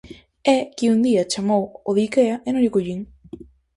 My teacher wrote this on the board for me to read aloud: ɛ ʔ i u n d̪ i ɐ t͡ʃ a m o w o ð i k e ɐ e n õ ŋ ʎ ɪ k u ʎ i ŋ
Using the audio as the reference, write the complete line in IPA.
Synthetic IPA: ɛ k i u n d̪ i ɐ t͡ʃ a m o w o ð i k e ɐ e n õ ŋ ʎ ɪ k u ʎ i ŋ